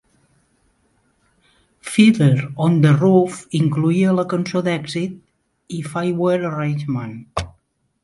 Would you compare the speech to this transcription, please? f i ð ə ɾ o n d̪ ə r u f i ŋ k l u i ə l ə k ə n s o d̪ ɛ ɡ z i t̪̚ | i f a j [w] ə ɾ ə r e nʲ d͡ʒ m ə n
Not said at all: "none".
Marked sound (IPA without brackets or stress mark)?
w